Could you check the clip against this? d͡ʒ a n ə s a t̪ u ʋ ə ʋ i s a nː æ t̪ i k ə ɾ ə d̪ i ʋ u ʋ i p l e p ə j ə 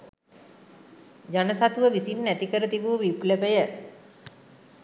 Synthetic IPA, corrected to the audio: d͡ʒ a n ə s a t̪ u ʋ ə ʋ i s i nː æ t̪ i k ə ɾ ə t̪ i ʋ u ʋ i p l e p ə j ə